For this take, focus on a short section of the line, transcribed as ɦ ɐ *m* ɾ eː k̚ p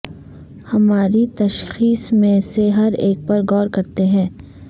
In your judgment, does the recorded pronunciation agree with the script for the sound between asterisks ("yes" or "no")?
no